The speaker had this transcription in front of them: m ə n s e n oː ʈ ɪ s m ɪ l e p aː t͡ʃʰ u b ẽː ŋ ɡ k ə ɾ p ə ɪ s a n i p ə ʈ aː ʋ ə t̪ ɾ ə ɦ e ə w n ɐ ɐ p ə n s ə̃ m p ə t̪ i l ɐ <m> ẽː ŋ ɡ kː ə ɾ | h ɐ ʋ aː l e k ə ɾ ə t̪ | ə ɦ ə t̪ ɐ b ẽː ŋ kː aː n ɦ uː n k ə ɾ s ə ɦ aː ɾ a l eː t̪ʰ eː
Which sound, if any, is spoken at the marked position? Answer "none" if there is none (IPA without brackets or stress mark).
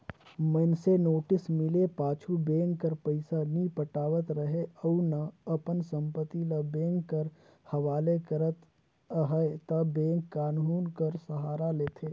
b